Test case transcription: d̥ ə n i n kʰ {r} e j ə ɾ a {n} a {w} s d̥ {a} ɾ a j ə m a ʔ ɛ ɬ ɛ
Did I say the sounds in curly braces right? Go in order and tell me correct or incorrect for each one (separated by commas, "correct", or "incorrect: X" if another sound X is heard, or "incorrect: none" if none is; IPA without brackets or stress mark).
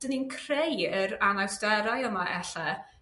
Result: correct, correct, correct, incorrect: ɛ